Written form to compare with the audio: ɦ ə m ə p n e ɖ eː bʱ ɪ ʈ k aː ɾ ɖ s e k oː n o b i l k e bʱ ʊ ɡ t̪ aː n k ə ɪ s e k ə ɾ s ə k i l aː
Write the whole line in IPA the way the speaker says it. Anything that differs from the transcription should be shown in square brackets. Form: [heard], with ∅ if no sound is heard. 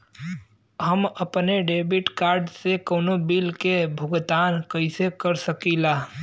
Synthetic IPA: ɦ ə m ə p n e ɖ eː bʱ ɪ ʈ k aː ɾ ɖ s e k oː n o b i l k e bʱ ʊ ɡ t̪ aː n k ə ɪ s e k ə ɾ s ə k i l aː